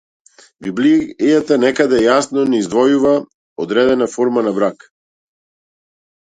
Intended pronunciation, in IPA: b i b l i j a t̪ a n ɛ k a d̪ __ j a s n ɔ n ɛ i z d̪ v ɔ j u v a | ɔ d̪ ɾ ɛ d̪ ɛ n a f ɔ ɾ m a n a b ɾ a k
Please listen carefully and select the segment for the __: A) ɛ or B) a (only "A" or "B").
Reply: A